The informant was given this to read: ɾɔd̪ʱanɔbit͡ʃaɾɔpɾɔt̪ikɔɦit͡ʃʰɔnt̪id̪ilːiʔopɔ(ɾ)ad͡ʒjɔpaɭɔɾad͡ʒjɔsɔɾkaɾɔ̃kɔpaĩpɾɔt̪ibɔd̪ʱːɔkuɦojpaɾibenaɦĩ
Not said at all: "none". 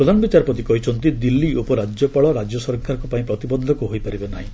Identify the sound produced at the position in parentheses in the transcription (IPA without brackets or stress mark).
ɾ